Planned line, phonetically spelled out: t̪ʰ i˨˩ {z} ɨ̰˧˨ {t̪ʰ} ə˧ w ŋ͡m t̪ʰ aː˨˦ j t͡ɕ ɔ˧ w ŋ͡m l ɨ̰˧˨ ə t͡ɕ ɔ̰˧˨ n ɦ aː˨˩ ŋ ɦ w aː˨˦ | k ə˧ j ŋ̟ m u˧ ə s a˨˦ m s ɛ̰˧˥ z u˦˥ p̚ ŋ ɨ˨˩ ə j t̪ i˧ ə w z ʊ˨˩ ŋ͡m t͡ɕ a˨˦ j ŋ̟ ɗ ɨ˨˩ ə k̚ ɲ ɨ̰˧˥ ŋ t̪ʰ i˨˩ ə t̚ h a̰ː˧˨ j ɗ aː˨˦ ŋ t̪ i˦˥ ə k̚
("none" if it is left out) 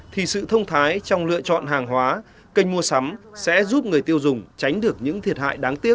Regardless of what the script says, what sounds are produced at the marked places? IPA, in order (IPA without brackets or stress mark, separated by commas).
s, t̪ʰ